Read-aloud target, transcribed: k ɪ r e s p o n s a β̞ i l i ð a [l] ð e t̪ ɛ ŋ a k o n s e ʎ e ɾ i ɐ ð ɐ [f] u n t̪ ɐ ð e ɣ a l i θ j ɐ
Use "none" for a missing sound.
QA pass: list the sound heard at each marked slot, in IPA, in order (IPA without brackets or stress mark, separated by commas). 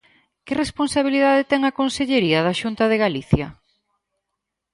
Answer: none, ʃ